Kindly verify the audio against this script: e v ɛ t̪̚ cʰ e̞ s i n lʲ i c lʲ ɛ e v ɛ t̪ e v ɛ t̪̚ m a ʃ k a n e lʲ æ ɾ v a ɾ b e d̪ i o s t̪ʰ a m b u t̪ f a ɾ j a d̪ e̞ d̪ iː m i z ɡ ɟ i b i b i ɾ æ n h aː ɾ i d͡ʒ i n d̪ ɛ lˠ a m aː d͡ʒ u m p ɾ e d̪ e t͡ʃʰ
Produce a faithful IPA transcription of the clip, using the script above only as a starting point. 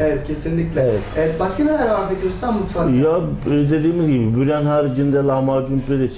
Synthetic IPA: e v ɛ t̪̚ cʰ e̞ s i n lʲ i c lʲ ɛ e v ɛ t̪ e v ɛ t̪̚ b a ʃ k a n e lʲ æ ɾ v a ɾ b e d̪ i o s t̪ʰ a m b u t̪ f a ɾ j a d̪ e̞ d̪ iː m i z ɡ ɟ i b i b y ɾ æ n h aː ɾ i d͡ʒ i n d̪ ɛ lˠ a m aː d͡ʒ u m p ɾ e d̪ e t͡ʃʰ